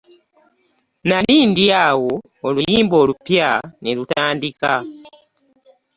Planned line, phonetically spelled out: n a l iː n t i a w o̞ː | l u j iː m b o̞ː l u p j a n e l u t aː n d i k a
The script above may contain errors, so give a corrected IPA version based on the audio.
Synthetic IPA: n a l iː n d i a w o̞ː | l u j iː m b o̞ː l u p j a n e l u t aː n d i k a